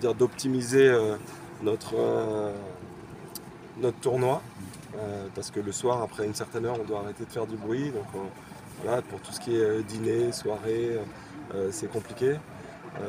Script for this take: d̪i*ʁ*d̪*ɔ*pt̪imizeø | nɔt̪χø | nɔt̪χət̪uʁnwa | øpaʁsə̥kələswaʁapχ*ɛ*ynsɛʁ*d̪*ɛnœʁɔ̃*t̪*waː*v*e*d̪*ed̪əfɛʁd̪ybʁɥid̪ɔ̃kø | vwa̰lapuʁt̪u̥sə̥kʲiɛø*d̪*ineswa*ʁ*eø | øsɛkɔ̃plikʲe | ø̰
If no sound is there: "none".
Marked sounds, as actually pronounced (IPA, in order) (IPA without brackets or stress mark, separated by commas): ʁ, ɔ, ɛ, t̪, d̪, ʁ, t̪, d̪, ʁ